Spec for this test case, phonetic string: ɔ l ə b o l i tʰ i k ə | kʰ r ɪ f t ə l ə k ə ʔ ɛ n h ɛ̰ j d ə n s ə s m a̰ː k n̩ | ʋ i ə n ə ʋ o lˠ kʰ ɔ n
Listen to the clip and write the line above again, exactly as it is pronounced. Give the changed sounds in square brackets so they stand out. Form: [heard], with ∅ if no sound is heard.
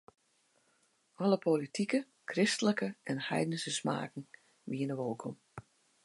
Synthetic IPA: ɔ l ə [p] o l i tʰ i k ə | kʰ r ɪ [s] t ə l ə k ə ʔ ɛ n h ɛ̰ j d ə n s ə s m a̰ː k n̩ | ʋ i ə n ə ʋ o lˠ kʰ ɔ [m]